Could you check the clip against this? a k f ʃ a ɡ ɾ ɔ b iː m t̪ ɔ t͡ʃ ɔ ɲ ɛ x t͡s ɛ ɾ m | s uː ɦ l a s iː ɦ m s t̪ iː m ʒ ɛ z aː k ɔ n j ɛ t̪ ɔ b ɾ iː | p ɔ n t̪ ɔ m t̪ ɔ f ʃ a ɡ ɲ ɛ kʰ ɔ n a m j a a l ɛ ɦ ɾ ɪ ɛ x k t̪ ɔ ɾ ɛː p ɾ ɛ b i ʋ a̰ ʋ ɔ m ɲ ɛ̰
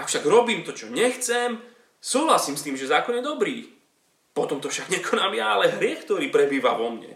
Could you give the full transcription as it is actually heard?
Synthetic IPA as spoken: a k f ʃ a ɡ ɾ ɔ b iː m t̪ ɔ t͡ʃ ɔ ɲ ɛ x t͡s ɛ m | s uː ɦ l a s iː m s t̪ iː m ʒ ɛ z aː k ɔ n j ɛ d̪ ɔ b ɾ iː | p ɔ t̪ ɔ m t̪ ɔ f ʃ a ɡ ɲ ɛ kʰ ɔ n a m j a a l ɛ ɦ ɾ ɪ ɛ x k t̪ ɔ ɾ iː p ɾ ɛ b iː ʋ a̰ ʋ ɔ m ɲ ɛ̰